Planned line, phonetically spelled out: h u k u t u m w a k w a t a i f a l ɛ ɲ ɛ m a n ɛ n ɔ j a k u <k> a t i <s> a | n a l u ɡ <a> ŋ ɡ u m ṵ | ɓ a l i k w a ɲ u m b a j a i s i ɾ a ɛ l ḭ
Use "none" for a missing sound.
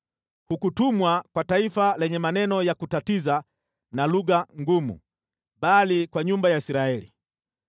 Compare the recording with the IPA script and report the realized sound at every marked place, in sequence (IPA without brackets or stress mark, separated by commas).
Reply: t, z, a